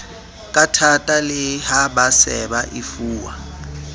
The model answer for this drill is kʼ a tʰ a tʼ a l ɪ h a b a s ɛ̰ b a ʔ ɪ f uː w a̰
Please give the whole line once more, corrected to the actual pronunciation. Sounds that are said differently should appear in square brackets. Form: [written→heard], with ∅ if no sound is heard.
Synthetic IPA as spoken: kʼ a tʰ a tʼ a l ɪ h a b a s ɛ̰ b a ʔ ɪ f uː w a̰